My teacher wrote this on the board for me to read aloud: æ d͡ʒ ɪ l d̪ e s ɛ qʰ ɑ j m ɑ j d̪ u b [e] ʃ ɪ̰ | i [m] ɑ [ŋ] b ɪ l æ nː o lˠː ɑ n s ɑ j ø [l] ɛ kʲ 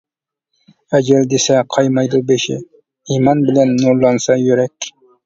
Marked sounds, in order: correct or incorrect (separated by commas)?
correct, correct, incorrect, incorrect